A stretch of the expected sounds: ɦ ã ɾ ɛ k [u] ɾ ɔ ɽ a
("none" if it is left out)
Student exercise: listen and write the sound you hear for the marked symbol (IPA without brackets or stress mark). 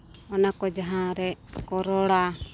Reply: ɔ